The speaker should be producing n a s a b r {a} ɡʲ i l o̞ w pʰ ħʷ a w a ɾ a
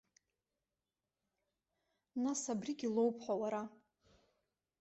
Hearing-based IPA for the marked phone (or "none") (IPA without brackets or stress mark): i